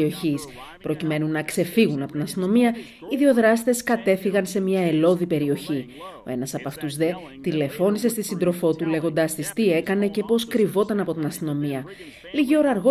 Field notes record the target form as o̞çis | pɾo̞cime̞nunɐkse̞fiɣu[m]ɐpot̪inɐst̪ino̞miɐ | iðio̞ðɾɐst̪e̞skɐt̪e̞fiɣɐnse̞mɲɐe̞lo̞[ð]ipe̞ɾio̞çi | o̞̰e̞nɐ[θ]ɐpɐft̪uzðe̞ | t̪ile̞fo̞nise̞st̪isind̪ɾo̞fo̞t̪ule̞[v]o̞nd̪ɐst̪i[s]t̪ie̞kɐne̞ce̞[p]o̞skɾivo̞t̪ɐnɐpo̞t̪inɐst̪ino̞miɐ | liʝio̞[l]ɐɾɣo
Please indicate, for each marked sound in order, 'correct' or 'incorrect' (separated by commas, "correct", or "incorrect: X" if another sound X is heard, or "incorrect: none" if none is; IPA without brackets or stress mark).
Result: incorrect: n, correct, incorrect: s, incorrect: ɣ, correct, correct, incorrect: ɾ